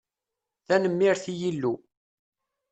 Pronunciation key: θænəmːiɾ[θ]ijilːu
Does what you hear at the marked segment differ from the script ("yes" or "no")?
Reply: no